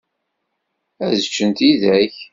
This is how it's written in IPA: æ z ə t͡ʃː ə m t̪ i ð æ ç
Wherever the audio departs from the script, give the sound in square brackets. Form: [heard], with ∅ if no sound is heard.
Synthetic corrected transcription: æ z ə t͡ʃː ə [n] t̪ i ð æ ç

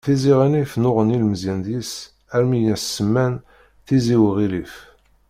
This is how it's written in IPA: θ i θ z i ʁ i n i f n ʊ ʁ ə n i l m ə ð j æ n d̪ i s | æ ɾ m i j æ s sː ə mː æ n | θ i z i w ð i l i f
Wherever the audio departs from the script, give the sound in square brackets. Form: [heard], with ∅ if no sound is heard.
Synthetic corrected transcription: θ i [∅] z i ʁ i n i f n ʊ ʁ ə n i l m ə [z] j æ n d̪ i s | æ ɾ m i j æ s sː ə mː æ n | θ i z i w [ʁ] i l i f

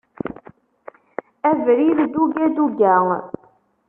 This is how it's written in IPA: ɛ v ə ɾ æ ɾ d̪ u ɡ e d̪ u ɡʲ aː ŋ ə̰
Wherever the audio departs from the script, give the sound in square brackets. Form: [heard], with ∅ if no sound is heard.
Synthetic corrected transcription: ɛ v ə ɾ [i] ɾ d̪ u ɡ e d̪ u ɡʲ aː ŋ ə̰

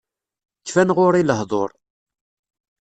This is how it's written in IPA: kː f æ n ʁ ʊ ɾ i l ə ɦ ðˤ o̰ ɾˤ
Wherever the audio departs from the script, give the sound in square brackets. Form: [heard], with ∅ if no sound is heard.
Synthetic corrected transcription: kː f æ n ʁ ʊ ɾ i l ə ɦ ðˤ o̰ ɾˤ

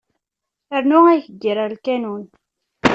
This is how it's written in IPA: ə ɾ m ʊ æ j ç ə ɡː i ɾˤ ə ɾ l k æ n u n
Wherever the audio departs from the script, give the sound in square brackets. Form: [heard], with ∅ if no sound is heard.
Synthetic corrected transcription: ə ɾ [n] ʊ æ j ç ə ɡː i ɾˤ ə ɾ l k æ n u n

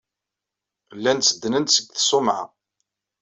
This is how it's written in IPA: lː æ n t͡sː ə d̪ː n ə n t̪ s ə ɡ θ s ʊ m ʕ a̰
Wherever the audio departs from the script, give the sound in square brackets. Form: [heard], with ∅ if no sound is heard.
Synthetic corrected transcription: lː æ n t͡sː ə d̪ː n ə n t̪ s ə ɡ θ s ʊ m ʕ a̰

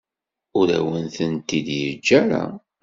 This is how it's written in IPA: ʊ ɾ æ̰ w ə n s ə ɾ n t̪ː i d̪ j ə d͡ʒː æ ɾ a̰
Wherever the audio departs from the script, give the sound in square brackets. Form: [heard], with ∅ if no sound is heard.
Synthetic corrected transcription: ʊ ɾ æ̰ w ə n [θ] ə [∅] n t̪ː i d̪ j ə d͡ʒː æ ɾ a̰

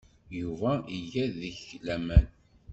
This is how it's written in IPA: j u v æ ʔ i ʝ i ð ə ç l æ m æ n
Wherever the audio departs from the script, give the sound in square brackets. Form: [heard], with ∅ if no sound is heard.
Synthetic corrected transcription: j u v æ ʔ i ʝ [æ] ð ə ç l æ m æ n

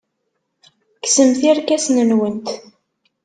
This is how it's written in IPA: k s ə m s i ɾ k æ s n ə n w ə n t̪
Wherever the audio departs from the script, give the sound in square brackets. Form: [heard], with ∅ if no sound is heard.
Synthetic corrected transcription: k s ə m [θ] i ɾ k æ s n ə n w ə n t̪

